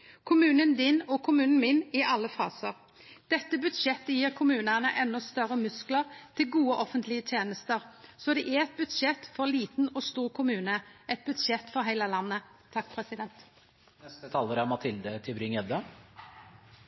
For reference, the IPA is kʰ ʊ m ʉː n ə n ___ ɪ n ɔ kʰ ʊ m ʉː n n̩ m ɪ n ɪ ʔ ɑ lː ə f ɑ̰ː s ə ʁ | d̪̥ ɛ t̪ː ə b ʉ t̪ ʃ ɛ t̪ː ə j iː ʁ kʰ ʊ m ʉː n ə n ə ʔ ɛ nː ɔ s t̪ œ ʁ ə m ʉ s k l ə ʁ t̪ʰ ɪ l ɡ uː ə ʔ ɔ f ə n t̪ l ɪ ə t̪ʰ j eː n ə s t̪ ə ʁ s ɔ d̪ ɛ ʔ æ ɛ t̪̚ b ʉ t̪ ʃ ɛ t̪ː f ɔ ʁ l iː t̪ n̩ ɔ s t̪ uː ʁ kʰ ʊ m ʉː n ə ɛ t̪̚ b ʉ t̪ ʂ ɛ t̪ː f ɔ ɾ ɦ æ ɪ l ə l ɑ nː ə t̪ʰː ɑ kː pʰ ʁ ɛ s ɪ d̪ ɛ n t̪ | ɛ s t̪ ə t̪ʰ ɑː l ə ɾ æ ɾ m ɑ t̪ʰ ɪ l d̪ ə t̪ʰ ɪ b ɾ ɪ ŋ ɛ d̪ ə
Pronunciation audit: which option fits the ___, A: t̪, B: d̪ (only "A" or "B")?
B